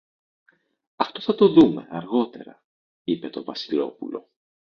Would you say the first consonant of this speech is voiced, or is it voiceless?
voiceless